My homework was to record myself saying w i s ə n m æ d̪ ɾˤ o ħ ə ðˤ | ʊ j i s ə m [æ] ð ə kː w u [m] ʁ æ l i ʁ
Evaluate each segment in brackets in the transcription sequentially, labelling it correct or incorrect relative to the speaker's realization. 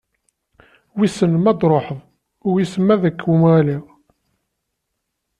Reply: correct, correct

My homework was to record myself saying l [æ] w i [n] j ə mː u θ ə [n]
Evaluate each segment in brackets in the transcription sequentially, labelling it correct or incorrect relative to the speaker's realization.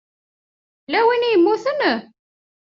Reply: correct, correct, correct

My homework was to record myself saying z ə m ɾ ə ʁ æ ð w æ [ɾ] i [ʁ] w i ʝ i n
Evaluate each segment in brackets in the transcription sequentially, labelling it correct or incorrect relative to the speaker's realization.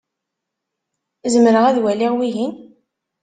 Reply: incorrect, correct

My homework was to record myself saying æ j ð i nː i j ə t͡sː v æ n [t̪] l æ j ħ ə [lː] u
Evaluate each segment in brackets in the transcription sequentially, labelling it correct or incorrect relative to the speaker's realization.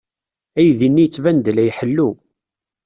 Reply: incorrect, correct

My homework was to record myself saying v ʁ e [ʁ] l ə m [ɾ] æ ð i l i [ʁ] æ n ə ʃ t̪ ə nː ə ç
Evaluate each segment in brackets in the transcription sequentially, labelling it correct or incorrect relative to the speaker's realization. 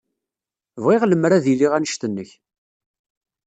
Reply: correct, correct, correct

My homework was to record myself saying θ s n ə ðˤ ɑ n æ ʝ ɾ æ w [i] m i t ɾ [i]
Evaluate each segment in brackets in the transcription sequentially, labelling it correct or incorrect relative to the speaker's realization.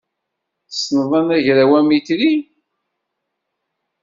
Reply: incorrect, correct

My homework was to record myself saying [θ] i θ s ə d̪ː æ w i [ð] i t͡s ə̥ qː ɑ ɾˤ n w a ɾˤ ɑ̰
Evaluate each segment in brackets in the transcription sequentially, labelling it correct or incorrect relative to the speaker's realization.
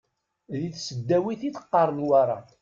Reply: incorrect, incorrect

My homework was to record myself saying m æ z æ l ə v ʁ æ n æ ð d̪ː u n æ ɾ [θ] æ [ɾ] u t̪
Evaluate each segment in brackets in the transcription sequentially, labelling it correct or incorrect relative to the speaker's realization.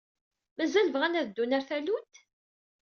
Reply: correct, incorrect

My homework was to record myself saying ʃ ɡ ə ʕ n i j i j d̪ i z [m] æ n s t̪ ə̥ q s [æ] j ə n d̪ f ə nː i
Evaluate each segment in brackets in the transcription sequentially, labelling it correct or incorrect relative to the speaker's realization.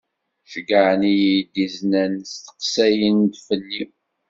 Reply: incorrect, correct

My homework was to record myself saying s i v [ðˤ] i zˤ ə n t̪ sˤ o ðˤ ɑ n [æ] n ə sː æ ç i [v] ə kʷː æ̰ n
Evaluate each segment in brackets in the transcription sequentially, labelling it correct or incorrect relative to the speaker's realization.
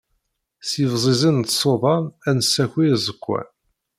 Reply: incorrect, correct, incorrect

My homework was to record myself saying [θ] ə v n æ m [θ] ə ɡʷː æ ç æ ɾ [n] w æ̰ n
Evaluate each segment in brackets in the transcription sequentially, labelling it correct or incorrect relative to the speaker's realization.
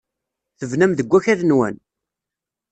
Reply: correct, incorrect, correct

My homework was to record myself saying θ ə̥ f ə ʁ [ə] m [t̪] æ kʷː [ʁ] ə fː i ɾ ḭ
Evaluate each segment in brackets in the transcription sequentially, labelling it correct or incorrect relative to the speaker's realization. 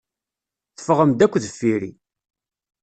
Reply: correct, incorrect, incorrect

